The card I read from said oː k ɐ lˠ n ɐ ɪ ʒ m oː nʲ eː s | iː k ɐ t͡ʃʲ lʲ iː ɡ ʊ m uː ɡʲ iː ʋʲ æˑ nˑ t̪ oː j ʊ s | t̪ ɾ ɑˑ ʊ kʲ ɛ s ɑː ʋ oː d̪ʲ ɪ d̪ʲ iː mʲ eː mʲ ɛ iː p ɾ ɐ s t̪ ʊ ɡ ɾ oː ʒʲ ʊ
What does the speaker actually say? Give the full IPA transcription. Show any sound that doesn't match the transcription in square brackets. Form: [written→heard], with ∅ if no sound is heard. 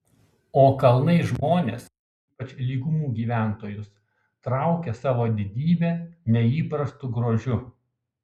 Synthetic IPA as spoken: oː k ɐ lˠ n ɐ ɪ ʒ m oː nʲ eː s | iː [k→p] ɐ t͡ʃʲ lʲ iː ɡ ʊ m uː ɡʲ iː ʋʲ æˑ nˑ t̪ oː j ʊ s | t̪ ɾ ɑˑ ʊ kʲ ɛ s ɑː ʋ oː d̪ʲ ɪ d̪ʲ iː [mʲ→bʲ] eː [mʲ→nʲ] ɛ iː p ɾ ɐ s t̪ ʊ ɡ ɾ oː ʒʲ ʊ